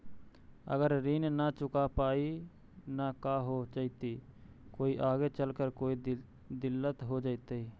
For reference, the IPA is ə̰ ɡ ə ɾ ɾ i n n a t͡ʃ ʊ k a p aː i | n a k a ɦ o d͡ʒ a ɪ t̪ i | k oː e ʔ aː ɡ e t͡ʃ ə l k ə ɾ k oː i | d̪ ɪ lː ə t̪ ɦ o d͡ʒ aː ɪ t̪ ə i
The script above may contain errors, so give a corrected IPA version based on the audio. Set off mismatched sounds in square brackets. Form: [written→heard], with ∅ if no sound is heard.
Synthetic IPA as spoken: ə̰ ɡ ə ɾ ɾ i n n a t͡ʃ ʊ k a p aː i | n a k a ɦ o d͡ʒ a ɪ t̪ i | k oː [e→i] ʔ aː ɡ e t͡ʃ ə l k ə ɾ k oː i | d̪ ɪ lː ə t̪ ɦ o d͡ʒ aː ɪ t̪ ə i

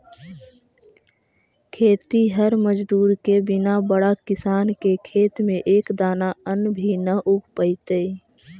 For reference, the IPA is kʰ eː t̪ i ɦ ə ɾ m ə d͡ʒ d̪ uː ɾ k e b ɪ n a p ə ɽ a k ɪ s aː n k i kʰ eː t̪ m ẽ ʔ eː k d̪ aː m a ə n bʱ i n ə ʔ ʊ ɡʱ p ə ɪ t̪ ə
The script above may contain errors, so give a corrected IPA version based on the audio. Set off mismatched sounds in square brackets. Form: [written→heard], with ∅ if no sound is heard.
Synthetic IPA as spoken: kʰ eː t̪ i ɦ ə ɾ m ə d͡ʒ d̪ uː ɾ k e b ɪ n a [p→b] ə ɽ a k ɪ s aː n k [i→e] kʰ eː t̪ m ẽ ʔ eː k d̪ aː [m→n] a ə n bʱ i n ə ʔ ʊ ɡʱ p ə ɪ t̪ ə

